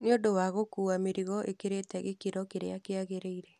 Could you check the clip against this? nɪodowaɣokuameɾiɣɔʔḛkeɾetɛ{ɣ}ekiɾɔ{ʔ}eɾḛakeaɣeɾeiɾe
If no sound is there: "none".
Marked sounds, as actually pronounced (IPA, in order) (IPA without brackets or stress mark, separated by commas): ɣ, k